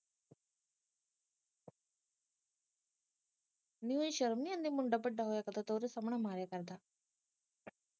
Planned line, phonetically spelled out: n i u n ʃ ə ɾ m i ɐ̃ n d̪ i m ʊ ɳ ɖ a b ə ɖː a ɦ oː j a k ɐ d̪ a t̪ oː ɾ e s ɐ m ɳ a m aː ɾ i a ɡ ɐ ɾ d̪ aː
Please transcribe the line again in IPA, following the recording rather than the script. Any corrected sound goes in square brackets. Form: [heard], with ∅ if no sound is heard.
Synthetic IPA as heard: n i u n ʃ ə ɾ m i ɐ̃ n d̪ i m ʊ ɳ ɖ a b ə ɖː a ɦ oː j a k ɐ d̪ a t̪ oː ɾ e s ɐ m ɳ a m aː ɾ [j] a [k] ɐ ɾ d̪ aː